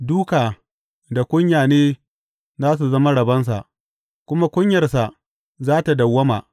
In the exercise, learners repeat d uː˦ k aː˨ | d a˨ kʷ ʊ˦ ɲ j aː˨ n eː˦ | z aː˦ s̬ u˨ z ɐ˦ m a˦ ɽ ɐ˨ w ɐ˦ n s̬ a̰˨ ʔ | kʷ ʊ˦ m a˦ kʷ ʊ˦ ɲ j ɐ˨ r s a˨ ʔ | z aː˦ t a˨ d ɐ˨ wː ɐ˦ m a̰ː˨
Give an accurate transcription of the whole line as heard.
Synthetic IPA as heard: d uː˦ k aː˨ | d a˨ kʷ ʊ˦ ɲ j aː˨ n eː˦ | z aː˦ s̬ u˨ z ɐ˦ m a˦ ɽ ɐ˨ b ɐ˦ n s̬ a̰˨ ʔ | kʷ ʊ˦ m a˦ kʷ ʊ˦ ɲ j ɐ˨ r s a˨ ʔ | z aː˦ t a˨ d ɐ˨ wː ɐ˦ m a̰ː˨

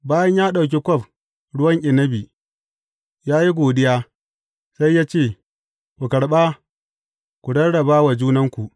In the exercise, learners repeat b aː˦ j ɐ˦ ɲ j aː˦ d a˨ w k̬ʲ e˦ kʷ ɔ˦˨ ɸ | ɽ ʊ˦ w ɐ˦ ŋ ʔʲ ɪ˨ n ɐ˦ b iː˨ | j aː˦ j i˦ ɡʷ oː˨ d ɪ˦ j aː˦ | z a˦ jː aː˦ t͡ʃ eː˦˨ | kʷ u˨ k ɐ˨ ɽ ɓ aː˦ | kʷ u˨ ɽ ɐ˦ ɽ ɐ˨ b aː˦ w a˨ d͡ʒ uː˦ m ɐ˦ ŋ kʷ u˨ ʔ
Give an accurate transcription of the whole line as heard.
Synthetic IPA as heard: b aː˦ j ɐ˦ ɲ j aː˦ ɗ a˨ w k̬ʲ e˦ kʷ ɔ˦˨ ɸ | ɽ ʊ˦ w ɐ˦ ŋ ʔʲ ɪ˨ n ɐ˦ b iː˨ | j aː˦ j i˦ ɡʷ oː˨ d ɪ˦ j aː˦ | s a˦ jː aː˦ t͡ʃ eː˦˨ | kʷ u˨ k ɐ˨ ɽ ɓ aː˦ | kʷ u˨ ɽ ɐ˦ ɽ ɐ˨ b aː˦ w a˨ d͡ʒ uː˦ n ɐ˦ ŋ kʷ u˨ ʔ

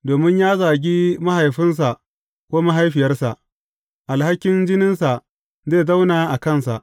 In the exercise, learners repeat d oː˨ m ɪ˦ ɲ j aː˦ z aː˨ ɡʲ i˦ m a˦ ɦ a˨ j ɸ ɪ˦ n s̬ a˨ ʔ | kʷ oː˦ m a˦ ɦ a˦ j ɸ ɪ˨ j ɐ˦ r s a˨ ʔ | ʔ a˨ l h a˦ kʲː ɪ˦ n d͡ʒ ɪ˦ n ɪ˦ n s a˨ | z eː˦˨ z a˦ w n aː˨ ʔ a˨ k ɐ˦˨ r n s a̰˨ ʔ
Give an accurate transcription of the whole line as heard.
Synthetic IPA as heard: d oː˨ m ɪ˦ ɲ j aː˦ z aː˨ ɡʲ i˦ m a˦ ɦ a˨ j ɸ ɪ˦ n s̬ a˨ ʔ | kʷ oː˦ m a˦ ɦ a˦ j ɸ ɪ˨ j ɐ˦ r s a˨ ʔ | ʔ a˨ l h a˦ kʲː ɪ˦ n d͡ʒ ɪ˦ n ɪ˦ n s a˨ | z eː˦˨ z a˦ w n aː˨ ʔ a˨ k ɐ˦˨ n s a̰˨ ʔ

